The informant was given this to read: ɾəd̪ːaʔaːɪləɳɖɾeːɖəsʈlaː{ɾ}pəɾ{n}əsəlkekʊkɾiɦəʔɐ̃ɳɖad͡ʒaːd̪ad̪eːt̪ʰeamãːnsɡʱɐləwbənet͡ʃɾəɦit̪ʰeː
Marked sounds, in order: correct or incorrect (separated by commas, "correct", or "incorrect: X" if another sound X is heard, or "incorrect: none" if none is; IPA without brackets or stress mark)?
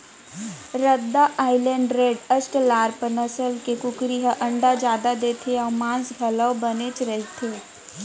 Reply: correct, correct